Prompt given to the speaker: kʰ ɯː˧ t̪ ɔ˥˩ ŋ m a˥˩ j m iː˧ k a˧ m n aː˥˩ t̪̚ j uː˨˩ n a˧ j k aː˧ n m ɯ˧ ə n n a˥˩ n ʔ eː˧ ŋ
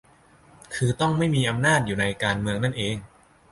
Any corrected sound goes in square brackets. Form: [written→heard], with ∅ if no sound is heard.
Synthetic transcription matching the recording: kʰ ɯː˧ t̪ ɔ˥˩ ŋ m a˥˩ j m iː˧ [k→ʔ] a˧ m n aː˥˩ t̪̚ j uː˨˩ n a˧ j k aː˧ n m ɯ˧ ə [n→ŋ] n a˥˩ n ʔ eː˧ ŋ